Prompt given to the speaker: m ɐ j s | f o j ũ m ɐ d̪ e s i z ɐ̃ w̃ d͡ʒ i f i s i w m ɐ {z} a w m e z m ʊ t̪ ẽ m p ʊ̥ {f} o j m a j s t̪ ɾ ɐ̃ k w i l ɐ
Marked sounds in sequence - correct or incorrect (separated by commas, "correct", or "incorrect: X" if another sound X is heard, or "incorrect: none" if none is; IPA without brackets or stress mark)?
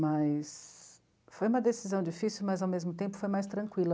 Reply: correct, correct